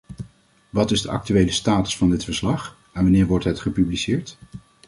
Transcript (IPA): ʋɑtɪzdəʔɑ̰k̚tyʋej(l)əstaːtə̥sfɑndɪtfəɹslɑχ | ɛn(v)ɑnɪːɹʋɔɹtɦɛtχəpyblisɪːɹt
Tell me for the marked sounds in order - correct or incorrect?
correct, incorrect: ʋ

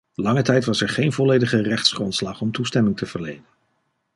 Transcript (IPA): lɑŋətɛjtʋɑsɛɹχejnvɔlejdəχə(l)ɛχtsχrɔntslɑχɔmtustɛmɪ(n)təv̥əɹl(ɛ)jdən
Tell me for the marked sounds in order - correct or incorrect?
incorrect: r, incorrect: ŋ, incorrect: e

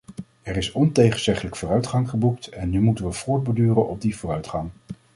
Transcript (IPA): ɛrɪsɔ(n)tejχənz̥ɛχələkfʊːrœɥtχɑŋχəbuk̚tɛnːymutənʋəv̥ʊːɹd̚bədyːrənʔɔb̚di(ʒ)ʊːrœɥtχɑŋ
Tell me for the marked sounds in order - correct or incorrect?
correct, incorrect: v

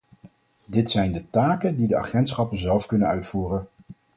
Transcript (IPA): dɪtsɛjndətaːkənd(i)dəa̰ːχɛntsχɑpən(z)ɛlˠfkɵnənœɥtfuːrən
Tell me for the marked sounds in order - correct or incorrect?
correct, correct

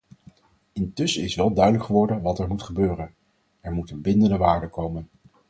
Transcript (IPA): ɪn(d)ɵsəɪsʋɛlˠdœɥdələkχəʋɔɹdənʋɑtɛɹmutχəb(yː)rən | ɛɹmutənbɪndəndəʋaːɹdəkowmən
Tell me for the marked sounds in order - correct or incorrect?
incorrect: t, incorrect: øː

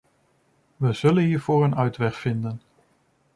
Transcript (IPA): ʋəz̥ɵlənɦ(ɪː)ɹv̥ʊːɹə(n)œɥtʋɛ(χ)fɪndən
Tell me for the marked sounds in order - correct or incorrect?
incorrect: iː, correct, correct

